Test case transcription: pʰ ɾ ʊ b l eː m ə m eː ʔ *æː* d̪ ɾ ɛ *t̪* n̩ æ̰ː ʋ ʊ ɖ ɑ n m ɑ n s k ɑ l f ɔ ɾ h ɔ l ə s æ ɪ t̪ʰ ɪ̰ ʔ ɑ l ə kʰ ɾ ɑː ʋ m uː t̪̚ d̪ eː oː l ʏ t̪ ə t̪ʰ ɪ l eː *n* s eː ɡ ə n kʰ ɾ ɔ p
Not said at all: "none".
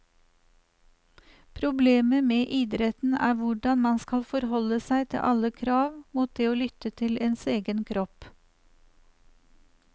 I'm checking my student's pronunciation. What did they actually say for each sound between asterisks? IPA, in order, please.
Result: iː, t̪, n

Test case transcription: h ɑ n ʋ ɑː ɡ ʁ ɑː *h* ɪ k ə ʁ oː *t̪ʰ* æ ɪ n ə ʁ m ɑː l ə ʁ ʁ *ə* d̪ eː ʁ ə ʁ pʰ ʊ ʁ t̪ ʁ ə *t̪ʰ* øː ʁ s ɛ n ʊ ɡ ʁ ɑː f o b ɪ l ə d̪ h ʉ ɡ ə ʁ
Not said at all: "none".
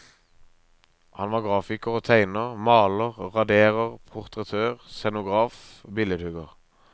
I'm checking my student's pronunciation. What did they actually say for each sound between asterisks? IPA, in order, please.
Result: f, t̪ʰ, ɑ, t̪ʰ

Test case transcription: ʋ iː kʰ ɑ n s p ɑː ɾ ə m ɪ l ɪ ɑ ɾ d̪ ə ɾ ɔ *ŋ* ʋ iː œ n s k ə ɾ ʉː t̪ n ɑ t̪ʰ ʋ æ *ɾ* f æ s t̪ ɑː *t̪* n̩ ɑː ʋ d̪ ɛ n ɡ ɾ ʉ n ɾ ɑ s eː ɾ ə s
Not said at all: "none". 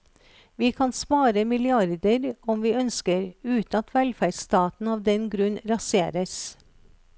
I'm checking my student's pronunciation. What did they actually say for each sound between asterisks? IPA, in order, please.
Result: m, l, t̪

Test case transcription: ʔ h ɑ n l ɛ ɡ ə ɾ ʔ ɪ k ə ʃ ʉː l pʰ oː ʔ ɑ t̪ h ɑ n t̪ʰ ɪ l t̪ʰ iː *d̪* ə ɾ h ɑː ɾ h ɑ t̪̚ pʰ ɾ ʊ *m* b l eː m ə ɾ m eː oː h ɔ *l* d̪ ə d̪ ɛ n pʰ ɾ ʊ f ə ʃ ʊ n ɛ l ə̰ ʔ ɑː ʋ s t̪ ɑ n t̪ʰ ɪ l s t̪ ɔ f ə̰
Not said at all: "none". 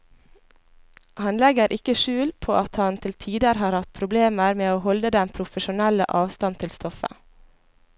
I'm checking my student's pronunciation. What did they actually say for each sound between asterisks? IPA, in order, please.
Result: d̪, none, l

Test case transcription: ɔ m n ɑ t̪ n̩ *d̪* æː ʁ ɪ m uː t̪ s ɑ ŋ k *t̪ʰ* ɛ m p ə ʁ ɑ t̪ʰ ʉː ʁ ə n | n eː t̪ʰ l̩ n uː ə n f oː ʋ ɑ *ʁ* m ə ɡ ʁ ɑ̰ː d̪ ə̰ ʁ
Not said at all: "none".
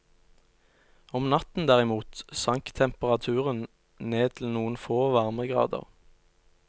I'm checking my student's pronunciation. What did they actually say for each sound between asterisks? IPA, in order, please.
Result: d̪, t̪ʰ, ʁ

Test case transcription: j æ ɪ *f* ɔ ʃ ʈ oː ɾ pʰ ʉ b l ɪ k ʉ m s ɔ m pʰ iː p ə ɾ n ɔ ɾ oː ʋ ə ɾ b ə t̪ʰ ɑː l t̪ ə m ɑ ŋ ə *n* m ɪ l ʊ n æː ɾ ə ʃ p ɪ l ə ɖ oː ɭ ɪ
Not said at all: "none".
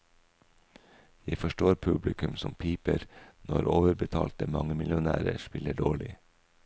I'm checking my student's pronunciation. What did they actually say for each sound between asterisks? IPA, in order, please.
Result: f, none

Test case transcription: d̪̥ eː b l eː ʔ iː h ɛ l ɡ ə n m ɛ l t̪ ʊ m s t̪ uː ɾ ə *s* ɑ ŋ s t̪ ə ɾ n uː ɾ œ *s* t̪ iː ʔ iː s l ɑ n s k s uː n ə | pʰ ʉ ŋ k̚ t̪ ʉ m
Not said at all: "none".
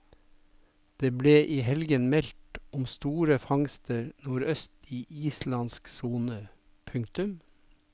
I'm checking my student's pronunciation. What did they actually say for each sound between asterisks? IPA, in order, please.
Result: f, s

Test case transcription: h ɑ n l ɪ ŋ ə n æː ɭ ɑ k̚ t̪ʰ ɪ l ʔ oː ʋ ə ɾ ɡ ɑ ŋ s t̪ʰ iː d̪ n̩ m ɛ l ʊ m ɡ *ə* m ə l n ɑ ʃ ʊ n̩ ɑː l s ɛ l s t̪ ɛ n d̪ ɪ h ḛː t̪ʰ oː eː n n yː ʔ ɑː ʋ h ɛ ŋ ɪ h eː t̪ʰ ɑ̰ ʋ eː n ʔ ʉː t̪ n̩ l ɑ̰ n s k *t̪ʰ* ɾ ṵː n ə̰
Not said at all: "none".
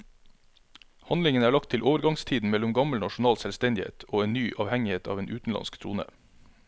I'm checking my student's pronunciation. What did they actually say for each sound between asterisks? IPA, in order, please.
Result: ɑ, t̪ʰ

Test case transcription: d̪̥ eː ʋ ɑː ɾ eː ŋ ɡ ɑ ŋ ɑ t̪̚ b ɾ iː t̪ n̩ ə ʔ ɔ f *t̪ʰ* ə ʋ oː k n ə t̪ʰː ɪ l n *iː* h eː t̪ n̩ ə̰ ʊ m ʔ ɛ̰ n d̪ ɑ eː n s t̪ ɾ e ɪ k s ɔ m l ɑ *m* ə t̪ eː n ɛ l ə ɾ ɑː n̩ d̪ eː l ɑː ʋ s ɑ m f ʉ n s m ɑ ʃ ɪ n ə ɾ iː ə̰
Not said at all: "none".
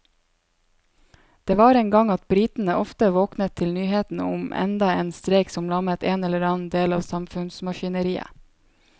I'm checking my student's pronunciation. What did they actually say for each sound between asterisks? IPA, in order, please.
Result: t̪, yː, m

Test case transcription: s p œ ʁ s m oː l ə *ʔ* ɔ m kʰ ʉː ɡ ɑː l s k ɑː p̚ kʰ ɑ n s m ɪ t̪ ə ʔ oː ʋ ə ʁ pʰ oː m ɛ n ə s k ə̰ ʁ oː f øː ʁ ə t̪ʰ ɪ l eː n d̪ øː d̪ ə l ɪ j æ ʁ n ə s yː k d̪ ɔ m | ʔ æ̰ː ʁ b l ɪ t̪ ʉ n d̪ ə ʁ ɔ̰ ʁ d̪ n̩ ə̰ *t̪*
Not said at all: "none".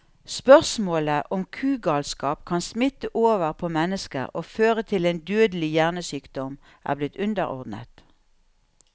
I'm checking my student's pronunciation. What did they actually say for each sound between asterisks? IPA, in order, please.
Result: ʔ, t̪

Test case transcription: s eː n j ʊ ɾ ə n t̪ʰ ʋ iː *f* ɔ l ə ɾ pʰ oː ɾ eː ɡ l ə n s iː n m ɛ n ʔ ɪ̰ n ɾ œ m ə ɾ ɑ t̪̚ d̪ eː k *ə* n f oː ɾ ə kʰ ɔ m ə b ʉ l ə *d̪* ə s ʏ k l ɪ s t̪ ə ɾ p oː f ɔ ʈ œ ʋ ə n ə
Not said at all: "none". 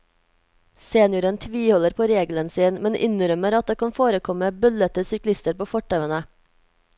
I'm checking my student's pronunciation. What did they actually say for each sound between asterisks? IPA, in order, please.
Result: h, ɑ, t̪

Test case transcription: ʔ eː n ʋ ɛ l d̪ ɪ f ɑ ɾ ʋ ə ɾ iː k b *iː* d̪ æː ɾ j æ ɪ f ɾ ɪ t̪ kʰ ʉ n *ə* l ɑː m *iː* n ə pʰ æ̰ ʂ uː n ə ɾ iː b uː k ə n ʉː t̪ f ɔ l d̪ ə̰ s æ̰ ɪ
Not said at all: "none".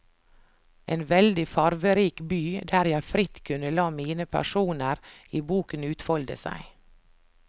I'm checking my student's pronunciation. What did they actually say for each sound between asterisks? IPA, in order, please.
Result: yː, ə, iː

